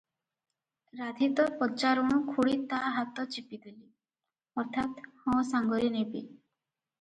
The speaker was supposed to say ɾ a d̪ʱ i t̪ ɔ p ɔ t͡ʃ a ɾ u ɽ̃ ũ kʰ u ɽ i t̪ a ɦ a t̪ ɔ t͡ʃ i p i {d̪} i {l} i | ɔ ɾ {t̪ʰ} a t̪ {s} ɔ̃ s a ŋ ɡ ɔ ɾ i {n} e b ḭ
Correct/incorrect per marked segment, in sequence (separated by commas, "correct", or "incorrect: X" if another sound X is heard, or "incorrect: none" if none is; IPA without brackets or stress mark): correct, correct, correct, incorrect: h, correct